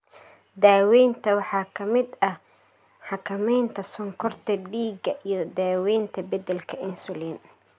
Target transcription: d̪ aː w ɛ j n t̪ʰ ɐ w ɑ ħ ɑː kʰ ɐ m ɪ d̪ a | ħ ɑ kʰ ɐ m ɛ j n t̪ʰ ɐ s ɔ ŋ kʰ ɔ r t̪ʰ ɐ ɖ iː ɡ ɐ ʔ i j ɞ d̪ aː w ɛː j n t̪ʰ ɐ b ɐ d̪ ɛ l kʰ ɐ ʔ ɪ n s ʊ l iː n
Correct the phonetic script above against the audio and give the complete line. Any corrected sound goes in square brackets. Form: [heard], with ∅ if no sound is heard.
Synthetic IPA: d̪ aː w ɛ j n t̪ʰ ɐ w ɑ ħ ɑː kʰ ɐ m ɪ d̪ [ɐ] | ħ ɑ kʰ ɐ m ɛ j n t̪ʰ ɐ s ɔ ŋ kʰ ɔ r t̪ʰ ɐ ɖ iː ɡ ɐ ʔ i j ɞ d̪ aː w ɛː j n t̪ʰ ɐ b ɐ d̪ ɛ l kʰ ɐ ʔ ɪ n s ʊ l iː n